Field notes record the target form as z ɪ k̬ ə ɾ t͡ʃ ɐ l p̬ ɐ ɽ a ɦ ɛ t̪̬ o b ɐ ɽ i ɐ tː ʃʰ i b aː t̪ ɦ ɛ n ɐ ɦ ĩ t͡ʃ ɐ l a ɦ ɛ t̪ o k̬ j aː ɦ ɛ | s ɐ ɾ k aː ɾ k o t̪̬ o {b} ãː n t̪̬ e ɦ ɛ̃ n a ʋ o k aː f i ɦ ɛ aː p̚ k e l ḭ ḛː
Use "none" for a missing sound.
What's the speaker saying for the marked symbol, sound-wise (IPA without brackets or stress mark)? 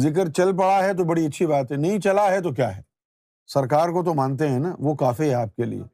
m